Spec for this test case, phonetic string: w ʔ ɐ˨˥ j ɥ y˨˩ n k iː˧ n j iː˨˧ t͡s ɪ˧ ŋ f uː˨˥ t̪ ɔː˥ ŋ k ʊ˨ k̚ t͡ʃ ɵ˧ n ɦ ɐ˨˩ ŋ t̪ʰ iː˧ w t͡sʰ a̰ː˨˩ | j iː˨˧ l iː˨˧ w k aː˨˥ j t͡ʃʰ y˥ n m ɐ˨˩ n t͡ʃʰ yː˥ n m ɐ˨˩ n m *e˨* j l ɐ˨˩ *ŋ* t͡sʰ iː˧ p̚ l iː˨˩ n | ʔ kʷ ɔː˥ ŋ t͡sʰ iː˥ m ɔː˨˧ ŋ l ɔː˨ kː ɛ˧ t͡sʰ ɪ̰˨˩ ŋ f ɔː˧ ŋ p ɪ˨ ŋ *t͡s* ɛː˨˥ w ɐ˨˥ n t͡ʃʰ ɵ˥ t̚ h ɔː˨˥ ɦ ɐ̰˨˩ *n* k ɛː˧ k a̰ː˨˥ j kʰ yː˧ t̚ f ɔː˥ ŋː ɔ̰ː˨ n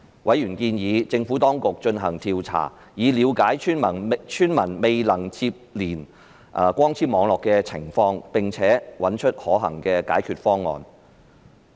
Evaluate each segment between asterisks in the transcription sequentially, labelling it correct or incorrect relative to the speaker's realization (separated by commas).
correct, correct, incorrect, incorrect